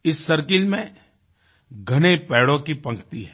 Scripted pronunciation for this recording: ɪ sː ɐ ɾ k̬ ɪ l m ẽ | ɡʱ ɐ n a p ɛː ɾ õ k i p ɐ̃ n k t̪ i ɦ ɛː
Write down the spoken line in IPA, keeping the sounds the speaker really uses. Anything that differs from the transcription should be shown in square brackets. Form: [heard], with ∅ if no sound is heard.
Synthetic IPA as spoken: ɪ sː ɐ ɾ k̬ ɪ l m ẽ | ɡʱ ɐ n [e] p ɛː [ɽ] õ k i p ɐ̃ [ŋ] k t̪ i ɦ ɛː